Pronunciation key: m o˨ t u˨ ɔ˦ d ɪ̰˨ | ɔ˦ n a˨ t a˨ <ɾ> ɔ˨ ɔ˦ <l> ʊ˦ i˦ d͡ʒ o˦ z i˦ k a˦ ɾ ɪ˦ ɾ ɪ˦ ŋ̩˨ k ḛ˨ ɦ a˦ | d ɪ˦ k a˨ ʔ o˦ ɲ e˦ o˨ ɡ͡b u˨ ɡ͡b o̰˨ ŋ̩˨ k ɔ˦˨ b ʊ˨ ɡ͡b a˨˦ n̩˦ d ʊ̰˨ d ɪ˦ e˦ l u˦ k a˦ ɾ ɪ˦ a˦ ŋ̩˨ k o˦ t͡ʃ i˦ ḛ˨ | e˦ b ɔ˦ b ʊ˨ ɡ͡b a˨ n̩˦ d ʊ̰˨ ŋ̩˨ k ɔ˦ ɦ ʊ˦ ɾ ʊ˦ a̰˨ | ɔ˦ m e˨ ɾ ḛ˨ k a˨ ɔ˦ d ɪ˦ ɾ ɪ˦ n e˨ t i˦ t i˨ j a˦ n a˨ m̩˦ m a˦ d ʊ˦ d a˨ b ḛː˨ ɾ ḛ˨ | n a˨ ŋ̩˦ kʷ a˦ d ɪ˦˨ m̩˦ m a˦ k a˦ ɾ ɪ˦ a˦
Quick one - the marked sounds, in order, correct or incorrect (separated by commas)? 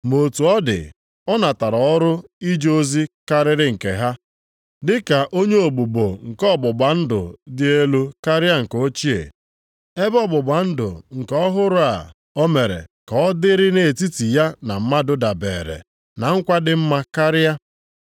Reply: correct, incorrect